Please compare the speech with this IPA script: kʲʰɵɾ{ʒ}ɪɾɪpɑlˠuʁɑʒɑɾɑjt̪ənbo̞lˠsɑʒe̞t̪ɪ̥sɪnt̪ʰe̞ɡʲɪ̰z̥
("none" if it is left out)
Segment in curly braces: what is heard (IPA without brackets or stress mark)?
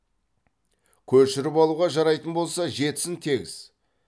ʃ